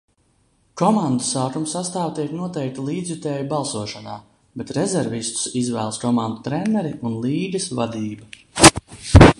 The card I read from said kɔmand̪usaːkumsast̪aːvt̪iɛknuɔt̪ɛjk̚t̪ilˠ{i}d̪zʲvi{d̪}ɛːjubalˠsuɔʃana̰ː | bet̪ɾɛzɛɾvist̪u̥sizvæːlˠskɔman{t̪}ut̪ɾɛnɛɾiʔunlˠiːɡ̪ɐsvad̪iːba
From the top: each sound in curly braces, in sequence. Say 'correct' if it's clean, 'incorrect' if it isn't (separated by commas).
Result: incorrect, incorrect, incorrect